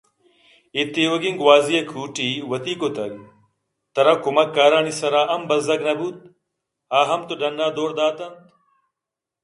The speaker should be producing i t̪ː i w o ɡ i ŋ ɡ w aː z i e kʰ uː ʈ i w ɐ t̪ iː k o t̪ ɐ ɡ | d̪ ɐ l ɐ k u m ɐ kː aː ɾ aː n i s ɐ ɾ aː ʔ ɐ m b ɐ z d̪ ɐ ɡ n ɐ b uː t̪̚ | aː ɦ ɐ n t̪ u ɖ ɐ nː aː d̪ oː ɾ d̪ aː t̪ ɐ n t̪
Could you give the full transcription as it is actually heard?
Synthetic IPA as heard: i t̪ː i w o ɡ i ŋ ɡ w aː z i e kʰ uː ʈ i w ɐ t̪ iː k o t̪ ɐ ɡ | t̪ ɐ ɾ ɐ k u m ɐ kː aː ɾ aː n i s ɐ ɾ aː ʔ ɐ m b ɐ z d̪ ɐ ɡ n ɐ b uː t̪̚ | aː ɦ ɐ m t̪ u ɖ ɐ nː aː d̪ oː ɾ d̪ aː t̪ ɐ n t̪